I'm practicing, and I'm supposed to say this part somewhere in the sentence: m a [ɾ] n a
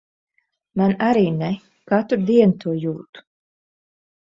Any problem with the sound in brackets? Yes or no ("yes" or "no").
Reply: yes